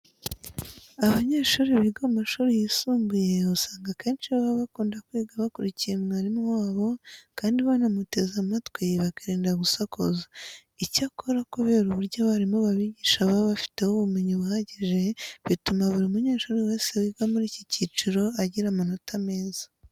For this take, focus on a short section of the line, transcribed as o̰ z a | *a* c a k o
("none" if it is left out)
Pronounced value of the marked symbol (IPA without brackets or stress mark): i